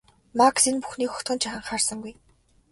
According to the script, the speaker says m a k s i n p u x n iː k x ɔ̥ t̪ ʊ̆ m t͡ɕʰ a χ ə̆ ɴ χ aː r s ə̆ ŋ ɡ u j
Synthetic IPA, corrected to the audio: m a k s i n p u x n iː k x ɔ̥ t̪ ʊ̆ n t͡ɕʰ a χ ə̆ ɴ χ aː r s ə̆ ŋ ɡ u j